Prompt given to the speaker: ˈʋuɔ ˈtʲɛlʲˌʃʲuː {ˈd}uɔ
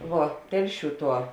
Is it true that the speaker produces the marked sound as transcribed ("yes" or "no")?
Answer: no